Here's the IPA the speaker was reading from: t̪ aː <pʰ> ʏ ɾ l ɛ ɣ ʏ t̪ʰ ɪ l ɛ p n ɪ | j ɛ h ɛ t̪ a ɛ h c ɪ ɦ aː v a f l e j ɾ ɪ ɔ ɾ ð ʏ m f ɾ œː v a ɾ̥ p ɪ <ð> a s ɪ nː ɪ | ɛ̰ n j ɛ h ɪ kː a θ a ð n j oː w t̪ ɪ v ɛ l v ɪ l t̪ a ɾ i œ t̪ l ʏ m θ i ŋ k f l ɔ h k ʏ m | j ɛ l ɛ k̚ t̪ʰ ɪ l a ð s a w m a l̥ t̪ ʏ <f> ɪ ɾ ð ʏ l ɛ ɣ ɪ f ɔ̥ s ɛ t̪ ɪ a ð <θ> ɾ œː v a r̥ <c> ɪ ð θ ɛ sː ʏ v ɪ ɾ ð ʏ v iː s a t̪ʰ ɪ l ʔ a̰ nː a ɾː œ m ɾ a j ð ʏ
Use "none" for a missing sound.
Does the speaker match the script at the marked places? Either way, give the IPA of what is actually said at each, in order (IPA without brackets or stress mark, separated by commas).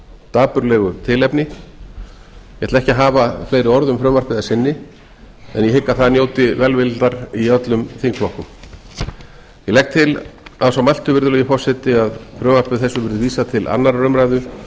p, ð, v, f, p